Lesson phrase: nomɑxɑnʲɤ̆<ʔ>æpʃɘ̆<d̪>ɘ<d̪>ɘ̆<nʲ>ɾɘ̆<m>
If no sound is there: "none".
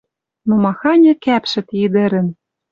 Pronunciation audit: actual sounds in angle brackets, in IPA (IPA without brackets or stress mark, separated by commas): k, t̪, d̪, none, n